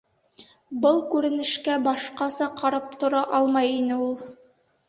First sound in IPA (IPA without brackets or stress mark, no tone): b